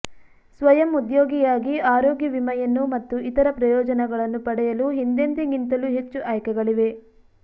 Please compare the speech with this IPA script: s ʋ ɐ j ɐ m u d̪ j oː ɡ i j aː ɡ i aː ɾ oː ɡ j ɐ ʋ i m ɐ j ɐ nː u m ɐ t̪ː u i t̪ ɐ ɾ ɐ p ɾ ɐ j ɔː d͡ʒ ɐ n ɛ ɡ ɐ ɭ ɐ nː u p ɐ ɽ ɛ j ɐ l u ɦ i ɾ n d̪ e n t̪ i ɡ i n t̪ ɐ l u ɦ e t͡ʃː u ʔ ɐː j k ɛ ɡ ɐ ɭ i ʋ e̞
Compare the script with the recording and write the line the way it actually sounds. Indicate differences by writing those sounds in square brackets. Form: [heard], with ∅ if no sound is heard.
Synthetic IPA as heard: s ʋ ɐ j ɐ m u d̪ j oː ɡ i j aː ɡ i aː ɾ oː ɡ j ɐ ʋ i m ɐ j ɐ nː u m ɐ t̪ː u i t̪ ɐ ɾ ɐ p ɾ ɐ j ɔː d͡ʒ ɐ n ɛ ɡ ɐ ɭ ɐ nː u p ɐ ɽ ɛ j ɐ l u ɦ i [∅] n d̪ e n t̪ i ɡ i n t̪ ɐ l u ɦ e t͡ʃː u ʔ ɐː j k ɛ ɡ ɐ ɭ i ʋ e̞